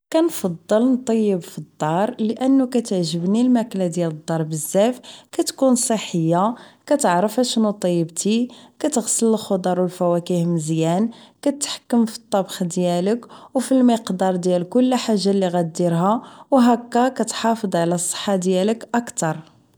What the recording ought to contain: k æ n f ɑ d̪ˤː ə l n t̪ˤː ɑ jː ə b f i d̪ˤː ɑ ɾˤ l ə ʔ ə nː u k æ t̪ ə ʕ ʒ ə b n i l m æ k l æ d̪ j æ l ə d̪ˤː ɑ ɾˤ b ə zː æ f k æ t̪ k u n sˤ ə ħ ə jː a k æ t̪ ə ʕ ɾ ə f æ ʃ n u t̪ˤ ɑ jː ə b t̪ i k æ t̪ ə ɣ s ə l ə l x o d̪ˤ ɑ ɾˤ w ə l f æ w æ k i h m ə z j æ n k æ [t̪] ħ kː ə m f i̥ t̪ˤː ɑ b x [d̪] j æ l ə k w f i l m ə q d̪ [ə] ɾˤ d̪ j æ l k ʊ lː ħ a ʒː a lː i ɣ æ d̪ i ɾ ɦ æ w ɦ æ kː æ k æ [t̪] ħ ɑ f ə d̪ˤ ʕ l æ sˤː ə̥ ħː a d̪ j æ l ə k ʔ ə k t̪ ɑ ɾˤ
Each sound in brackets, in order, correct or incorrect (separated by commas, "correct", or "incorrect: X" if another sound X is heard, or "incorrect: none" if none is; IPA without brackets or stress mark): correct, correct, incorrect: ɑ, correct